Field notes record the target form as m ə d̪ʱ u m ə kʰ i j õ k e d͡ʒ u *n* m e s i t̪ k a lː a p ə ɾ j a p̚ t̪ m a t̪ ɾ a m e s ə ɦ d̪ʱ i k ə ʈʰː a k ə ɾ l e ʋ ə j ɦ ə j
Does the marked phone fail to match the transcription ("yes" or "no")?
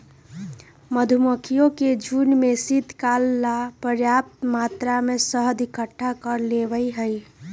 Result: no